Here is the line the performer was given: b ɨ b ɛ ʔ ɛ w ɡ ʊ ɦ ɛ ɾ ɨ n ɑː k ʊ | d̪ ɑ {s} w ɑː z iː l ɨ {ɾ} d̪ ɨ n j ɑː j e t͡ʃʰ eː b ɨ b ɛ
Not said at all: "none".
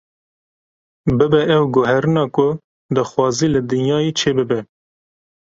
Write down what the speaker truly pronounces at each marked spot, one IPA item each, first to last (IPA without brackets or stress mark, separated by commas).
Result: x, none